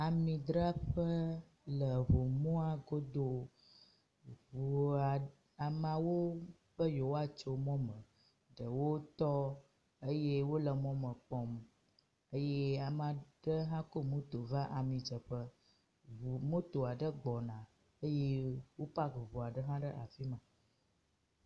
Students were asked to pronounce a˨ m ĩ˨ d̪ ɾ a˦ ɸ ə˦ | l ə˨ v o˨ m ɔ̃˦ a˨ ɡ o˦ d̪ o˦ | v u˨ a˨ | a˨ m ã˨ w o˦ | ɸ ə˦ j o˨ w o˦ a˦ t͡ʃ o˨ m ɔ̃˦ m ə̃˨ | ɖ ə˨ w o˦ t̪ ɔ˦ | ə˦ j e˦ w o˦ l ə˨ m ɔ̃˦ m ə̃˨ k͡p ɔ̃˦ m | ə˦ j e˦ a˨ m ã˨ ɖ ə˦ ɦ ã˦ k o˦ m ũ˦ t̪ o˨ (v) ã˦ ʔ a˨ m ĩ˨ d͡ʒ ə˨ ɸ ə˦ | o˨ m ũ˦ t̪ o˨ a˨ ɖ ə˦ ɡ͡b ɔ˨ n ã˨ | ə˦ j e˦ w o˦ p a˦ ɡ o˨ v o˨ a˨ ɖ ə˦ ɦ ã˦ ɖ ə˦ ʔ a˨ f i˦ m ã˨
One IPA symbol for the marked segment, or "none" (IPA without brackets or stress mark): v